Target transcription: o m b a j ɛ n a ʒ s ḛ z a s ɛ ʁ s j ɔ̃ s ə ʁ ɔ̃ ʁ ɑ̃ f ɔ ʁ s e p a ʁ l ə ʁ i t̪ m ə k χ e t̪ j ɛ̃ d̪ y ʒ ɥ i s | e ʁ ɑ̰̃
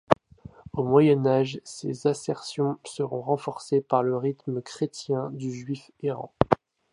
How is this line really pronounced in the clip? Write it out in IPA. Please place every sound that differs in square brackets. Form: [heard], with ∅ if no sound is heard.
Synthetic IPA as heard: o m [w] a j ɛ n a ʒ s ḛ z a s ɛ ʁ s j ɔ̃ s ə ʁ ɔ̃ ʁ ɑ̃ f ɔ ʁ s e p a ʁ l ə ʁ i t̪ m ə k χ e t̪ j ɛ̃ d̪ y ʒ ɥ i [f] | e ʁ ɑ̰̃